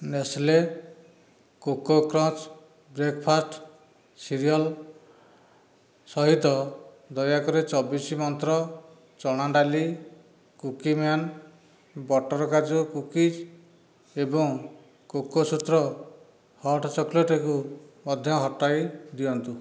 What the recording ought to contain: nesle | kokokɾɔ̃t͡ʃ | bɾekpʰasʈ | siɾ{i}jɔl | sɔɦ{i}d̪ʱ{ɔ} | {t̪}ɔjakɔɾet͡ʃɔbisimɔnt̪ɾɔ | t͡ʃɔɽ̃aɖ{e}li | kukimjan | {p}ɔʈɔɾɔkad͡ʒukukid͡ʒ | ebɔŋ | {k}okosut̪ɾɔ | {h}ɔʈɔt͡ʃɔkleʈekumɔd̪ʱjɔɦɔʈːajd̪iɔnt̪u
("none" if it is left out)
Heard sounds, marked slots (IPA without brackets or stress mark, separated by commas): i, i, ɔ, d̪, a, b, k, h